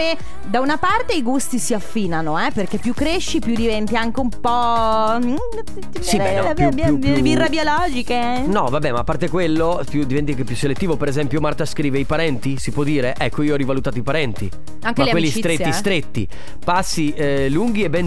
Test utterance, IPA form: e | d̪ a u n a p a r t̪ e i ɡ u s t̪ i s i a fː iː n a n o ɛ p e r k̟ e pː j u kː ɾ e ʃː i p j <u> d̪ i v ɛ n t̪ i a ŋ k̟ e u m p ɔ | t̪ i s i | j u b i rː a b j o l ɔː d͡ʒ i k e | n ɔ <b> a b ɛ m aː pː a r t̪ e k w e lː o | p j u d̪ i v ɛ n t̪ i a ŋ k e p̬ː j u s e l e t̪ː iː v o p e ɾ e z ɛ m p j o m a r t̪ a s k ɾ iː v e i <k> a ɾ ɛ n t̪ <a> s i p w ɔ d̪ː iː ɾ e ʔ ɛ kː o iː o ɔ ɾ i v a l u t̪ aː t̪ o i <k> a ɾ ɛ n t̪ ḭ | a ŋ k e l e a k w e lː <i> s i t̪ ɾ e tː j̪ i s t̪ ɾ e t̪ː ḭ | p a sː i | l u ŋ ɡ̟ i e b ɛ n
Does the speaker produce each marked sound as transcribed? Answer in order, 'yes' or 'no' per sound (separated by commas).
yes, no, no, no, no, yes